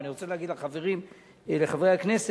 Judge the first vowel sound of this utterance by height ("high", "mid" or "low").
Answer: high